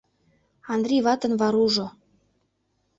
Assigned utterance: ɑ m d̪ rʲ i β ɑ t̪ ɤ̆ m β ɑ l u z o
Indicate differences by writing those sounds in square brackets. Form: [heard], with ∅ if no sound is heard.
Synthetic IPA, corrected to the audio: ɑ [n] d̪ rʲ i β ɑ t̪ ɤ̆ [n] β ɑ [ɾ] u [ʒ] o